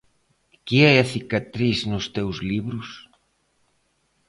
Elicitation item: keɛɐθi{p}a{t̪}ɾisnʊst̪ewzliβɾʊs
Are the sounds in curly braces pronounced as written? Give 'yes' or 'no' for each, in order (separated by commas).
no, yes